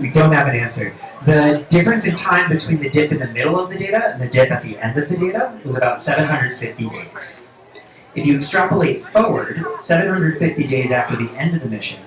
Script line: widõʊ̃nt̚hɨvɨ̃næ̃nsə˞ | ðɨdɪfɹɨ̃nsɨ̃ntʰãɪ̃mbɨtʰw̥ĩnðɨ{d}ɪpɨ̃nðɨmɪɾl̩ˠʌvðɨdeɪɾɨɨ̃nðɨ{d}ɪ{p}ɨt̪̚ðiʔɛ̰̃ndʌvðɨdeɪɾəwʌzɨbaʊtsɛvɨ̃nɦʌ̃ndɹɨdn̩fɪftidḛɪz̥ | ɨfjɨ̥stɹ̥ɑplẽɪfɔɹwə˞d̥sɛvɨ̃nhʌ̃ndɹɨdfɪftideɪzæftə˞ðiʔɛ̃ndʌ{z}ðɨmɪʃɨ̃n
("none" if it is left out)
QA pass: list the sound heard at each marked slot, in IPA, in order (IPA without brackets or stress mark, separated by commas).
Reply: d, d, p, v